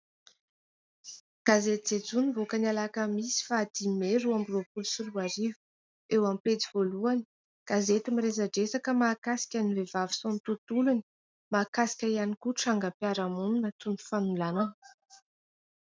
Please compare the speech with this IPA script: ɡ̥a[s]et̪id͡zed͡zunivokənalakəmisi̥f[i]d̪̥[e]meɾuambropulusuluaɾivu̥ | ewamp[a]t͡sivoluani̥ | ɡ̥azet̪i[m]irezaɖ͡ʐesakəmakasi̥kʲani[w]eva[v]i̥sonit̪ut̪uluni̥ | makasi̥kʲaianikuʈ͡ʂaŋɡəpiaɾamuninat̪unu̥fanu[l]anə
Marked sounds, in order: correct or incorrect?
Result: incorrect, incorrect, incorrect, incorrect, correct, incorrect, correct, correct

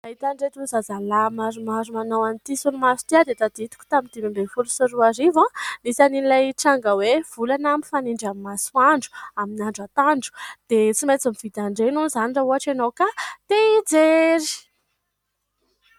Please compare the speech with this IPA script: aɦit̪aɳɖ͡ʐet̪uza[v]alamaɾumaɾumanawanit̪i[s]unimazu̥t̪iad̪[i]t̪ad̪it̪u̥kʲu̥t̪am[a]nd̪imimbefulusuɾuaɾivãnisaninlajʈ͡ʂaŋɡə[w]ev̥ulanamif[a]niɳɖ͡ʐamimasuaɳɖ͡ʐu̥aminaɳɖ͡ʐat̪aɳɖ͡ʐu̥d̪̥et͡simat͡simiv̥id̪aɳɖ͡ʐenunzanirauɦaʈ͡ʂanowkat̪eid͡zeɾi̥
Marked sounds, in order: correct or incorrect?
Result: incorrect, correct, incorrect, incorrect, correct, correct

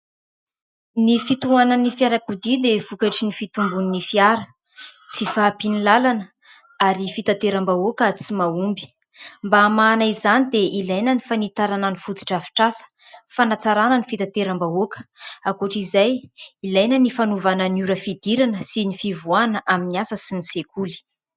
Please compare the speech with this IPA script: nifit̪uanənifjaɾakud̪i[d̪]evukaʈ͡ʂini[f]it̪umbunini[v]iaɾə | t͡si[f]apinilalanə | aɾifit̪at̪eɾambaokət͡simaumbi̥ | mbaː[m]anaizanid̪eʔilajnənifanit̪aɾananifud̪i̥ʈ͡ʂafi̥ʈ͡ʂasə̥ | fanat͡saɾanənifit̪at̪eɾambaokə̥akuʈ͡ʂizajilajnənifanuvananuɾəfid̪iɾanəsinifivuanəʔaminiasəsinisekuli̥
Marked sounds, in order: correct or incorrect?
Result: correct, correct, incorrect, correct, correct

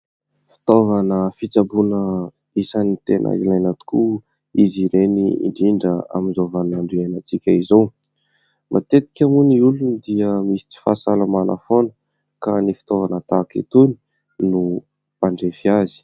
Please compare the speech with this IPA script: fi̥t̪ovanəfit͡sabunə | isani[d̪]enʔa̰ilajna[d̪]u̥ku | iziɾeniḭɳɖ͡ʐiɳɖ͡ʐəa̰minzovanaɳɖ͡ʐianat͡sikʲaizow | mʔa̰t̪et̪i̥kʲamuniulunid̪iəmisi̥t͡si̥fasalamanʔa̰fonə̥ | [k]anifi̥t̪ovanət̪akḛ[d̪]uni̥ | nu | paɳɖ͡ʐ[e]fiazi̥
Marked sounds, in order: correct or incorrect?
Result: incorrect, incorrect, correct, incorrect, correct

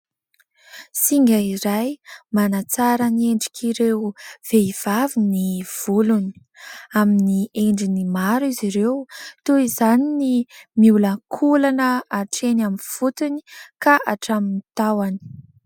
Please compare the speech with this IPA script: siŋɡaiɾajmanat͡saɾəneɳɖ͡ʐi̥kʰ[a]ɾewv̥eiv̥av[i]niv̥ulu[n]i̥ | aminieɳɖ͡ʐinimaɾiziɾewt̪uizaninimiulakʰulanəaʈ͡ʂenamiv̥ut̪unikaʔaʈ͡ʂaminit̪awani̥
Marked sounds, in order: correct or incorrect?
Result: incorrect, correct, correct

